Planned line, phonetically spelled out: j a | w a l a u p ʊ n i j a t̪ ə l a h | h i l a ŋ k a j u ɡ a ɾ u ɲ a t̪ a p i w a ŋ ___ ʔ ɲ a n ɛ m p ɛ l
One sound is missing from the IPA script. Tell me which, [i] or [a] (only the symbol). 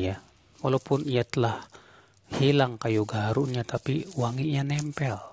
i